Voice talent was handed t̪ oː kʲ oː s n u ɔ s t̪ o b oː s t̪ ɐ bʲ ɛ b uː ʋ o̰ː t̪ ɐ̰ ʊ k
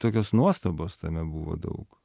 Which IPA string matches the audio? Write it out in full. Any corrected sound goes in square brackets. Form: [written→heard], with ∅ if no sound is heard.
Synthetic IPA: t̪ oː kʲ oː s n u ɔ s t̪ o b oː s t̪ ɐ [bʲ→mʲ] ɛ b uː ʋ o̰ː [t̪→d̪] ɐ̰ ʊ k